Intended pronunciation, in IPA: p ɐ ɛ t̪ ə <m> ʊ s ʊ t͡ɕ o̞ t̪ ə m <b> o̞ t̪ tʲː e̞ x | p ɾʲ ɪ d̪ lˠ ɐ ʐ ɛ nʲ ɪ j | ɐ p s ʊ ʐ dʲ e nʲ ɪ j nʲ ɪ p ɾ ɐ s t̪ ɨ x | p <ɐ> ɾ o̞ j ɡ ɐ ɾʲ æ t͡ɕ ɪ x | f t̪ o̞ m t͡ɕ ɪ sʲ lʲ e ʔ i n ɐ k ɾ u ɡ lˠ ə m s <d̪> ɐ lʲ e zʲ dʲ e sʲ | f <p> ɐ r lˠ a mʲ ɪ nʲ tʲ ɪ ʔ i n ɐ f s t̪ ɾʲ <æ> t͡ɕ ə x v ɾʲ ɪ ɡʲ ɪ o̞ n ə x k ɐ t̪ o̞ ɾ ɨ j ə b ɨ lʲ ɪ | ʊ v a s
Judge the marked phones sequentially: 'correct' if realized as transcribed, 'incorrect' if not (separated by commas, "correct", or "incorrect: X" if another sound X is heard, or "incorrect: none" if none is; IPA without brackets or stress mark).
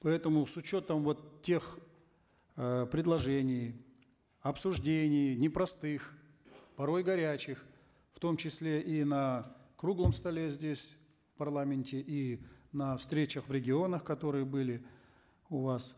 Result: correct, incorrect: v, correct, incorrect: t̪, correct, incorrect: e